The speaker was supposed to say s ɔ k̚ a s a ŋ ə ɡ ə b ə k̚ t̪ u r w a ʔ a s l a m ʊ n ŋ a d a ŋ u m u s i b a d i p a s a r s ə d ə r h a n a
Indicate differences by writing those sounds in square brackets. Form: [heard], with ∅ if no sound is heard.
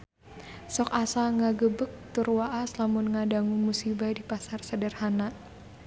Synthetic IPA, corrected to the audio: s ɔ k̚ a s a ŋ [a] ɡ ə b ə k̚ t̪ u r w a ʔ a s l a m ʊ n ŋ a d a ŋ u m u s i b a d i p a s a r s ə d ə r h a n a